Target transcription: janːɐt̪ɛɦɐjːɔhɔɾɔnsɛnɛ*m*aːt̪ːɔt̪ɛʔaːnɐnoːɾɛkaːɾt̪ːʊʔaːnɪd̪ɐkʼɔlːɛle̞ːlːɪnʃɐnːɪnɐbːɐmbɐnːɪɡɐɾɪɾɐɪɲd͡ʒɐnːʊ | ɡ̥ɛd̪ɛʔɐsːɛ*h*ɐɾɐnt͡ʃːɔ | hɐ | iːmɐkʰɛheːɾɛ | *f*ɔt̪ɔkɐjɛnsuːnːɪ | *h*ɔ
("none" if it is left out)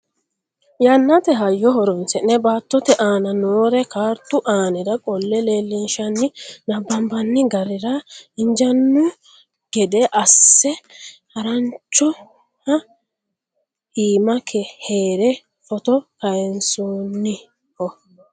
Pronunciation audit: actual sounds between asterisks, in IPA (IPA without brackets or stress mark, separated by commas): b, h, f, h